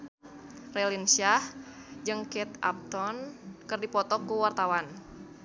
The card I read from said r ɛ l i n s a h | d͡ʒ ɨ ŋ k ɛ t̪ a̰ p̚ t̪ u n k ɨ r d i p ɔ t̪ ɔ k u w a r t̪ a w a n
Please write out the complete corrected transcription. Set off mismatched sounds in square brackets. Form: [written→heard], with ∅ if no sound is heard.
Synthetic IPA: r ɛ l i n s a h | d͡ʒ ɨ ŋ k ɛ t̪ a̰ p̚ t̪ [u→ɔ] n k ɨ r d i p ɔ t̪ ɔ k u w a r t̪ a w a n